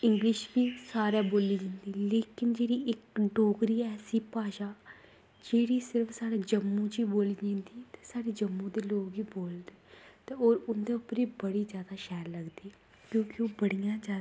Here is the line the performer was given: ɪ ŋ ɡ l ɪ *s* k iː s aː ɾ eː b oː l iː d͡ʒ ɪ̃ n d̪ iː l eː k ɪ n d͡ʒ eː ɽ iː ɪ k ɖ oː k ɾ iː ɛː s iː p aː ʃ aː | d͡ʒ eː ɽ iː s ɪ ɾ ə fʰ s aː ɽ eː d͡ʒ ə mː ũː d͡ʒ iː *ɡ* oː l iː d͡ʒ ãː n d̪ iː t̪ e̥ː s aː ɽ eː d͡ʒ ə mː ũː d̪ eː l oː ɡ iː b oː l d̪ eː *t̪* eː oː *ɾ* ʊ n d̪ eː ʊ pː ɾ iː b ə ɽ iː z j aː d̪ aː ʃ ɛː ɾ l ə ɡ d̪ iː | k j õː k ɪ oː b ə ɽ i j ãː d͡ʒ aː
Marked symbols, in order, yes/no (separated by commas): no, no, yes, yes